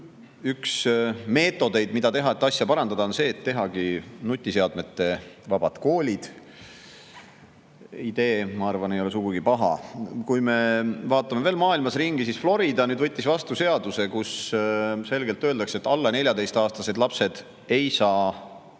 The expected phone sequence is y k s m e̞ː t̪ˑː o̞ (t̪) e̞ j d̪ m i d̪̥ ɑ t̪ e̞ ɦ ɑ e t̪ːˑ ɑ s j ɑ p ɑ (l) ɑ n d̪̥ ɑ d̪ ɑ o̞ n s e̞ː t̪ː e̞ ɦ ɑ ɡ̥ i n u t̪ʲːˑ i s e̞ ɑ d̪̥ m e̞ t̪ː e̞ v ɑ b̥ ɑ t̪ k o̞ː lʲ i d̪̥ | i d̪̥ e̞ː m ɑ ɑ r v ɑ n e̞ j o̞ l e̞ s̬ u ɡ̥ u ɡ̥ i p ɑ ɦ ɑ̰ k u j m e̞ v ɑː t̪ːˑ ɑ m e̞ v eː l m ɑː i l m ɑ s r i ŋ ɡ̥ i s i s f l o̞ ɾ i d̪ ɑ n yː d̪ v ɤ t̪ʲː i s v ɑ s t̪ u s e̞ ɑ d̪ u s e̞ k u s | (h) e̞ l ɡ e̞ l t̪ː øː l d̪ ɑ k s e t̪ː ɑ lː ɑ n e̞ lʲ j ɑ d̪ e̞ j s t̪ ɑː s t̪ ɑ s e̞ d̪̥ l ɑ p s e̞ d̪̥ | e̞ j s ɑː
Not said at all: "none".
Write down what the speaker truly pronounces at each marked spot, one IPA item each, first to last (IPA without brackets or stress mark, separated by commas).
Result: d̪, ɾ, s